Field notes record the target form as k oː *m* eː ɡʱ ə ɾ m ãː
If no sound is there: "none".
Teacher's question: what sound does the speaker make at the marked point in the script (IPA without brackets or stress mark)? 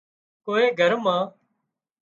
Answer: none